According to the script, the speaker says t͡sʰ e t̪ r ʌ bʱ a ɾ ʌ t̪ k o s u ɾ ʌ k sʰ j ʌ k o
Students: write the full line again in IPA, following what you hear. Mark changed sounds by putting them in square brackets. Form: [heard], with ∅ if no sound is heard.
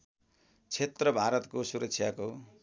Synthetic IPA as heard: t͡sʰ e t̪ r ʌ bʱ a ɾ ʌ t̪ k o s u ɾ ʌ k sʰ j [a] k o